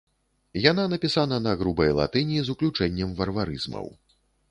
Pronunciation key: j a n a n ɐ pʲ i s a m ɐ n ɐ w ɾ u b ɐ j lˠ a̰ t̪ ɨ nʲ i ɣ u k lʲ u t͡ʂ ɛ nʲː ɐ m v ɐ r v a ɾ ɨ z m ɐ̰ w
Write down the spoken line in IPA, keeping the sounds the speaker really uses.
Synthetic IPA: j a n a n ɐ pʲ i s a n ɐ n ɐ ɣ ɾ u b ɐ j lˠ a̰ t̪ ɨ nʲ i z u k lʲ u t͡ʂ ɛ nʲː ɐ m v ɐ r v a ɾ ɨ z m ɐ̰ w